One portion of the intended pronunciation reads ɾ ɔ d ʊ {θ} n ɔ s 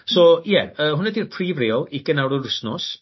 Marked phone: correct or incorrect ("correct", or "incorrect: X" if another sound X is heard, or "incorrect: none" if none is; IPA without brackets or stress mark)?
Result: incorrect: s